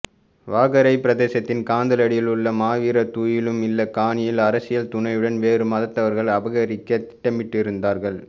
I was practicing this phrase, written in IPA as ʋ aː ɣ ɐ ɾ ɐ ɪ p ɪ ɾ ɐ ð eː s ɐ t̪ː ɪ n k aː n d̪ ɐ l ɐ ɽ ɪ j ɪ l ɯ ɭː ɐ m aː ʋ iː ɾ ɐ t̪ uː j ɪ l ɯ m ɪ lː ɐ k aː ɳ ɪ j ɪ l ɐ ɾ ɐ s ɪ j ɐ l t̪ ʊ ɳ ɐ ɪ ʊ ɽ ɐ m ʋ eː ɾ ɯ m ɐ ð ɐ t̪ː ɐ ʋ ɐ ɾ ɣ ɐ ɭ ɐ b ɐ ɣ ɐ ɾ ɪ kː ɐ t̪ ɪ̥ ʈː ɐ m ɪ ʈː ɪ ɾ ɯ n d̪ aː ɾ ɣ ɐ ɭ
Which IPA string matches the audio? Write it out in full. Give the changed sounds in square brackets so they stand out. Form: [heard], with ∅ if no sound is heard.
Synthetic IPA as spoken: ʋ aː ɣ ɐ ɾ ɐ ɪ p ɪ ɾ ɐ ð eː s ɐ t̪ː ɪ n k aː n d̪ ɐ l ɐ ɽ ɪ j ɪ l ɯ ɭː ɐ m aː ʋ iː ɾ ɐ t̪ uː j ɪ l ɯ m ɪ lː ɐ k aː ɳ ɪ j ɪ l ɐ ɾ ɐ s ɪ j ɐ l t̪ ʊ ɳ ɐ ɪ [ɯ] ɽ ɐ [n] ʋ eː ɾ ɯ m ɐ ð ɐ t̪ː ɐ ʋ ɐ ɾ ɣ ɐ ɭ ɐ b ɐ ɣ ɐ ɾ ɪ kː ɐ t̪ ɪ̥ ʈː ɐ m ɪ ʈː ɪ ɾ ɯ n d̪ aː ɾ ɣ ɐ ɭ

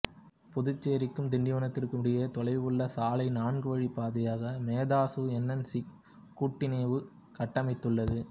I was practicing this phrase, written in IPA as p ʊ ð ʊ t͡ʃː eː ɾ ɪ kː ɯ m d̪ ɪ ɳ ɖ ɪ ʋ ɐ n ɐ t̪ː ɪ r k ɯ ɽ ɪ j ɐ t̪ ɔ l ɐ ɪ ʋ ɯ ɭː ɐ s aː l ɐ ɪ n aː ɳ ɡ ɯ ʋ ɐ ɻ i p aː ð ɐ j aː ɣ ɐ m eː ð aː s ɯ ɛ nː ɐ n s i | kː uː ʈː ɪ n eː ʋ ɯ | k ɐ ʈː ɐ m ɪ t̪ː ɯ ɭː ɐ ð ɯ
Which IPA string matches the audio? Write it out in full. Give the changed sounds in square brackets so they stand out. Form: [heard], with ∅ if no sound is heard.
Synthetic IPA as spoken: p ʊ ð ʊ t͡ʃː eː ɾ ɪ kː ɯ m d̪ ɪ ɳ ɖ ɪ ʋ ɐ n ɐ t̪ː ɪ r k ɯ ɽ ɪ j ɐ t̪ ɔ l ɐ ɪ ʋ ɯ ɭː ɐ s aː l ɐ ɪ n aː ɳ ɡ ɯ ʋ ɐ ɻ i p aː ð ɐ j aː ɣ ɐ m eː ð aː s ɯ ɛ nː ɐ n s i | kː uː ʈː ɪ n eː ʋ ɯ | k ɐ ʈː ɐ m ɪ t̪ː ɯ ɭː ɐ ð ɯ

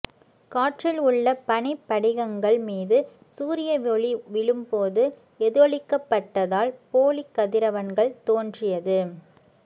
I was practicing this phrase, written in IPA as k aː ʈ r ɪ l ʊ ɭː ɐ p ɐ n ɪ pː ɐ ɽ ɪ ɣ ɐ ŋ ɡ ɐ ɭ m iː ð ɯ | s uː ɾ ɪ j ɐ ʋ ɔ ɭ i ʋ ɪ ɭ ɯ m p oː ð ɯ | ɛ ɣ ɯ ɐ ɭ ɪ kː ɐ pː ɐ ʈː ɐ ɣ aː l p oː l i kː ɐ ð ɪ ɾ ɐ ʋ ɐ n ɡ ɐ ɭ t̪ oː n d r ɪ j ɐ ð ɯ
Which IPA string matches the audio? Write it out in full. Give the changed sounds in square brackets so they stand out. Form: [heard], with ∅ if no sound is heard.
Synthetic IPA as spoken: k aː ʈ r ɪ l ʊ ɭː ɐ p ɐ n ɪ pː ɐ ɽ ɪ ɣ ɐ ŋ ɡ ɐ ɭ m iː ð ɯ | s uː ɾ ɪ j ɐ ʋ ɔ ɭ i ʋ ɪ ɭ ɯ m p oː ð ɯ | ɛ [ð] ɯ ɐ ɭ ɪ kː ɐ pː ɐ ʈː ɐ [ð] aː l p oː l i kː ɐ ð ɪ ɾ ɐ ʋ ɐ n ɡ ɐ ɭ t̪ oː n d r ɪ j ɐ ð ɯ

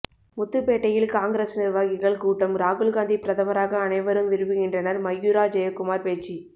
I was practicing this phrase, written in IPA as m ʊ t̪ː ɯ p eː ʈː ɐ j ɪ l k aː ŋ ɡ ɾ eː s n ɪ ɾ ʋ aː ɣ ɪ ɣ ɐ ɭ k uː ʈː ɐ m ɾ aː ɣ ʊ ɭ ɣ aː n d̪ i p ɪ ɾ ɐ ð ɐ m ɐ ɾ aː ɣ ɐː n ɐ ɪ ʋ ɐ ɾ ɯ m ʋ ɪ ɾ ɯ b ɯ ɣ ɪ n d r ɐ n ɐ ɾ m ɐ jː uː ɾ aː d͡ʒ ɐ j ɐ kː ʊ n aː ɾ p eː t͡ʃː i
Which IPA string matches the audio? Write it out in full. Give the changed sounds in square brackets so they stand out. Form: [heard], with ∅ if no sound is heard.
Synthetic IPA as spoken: m ʊ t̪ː ɯ p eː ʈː ɐ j ɪ l k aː ŋ ɡ ɾ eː s n ɪ ɾ ʋ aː ɣ ɪ ɣ ɐ ɭ k uː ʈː ɐ m ɾ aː ɣ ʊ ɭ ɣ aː n d̪ i p ɪ ɾ ɐ ð ɐ m ɐ ɾ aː ɣ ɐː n ɐ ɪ ʋ ɐ ɾ ɯ m ʋ ɪ ɾ ɯ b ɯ ɣ ɪ n d r ɐ n ɐ ɾ m ɐ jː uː ɾ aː d͡ʒ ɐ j ɐ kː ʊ [m] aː ɾ p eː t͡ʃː i

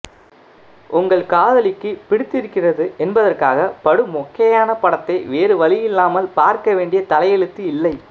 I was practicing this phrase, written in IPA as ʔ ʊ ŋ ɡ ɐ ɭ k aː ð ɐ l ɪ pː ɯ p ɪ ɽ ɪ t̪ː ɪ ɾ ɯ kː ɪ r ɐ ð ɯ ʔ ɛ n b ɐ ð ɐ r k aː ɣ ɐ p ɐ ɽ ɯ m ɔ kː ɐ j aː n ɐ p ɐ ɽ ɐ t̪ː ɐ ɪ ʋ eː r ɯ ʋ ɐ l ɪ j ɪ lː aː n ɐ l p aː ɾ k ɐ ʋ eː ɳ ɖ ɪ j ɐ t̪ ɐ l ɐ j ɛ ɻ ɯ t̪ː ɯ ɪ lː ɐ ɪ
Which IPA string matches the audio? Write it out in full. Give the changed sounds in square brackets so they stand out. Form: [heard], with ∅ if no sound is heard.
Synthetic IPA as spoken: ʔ ʊ ŋ ɡ ɐ ɭ k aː ð ɐ l ɪ [kː] ɯ p ɪ ɽ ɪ t̪ː ɪ ɾ ɯ kː ɪ r ɐ ð ɯ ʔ ɛ n b ɐ ð ɐ r k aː ɣ ɐ p ɐ ɽ ɯ m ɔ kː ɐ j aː n ɐ p ɐ ɽ ɐ t̪ː ɐ ɪ ʋ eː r ɯ ʋ ɐ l ɪ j ɪ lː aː [m] ɐ l p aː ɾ k ɐ ʋ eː ɳ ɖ ɪ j ɐ t̪ ɐ l ɐ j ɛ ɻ ɯ t̪ː ɯ ɪ lː ɐ ɪ

